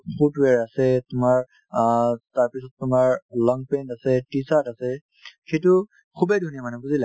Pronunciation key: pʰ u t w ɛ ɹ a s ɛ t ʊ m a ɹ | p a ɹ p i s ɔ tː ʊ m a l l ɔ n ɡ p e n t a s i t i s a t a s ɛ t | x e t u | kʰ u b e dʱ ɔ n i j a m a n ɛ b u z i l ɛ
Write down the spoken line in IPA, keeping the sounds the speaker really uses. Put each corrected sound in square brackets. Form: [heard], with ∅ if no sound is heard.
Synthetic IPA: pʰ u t w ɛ ɹ a s ɛ t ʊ m a ɹ | [t] a ɹ p i s ɔ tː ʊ m a [ɹ] l ɔ [ŋ] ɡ p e n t a s [ɛ] t i s a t a s ɛ [∅] | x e t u | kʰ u b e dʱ [u] n i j a m a n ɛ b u z i l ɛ